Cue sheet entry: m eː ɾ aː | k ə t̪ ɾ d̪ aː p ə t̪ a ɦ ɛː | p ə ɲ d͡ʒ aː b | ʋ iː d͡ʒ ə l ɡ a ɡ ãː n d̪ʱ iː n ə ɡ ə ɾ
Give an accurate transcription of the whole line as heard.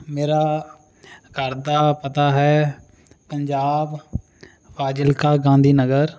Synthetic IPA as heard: m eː ɾ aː | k ə ɾ d̪ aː p ə t̪ a ɦ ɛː | p ə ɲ d͡ʒ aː b | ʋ aː d͡ʒ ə l k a ɡ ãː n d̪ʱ iː n ə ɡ ə ɾ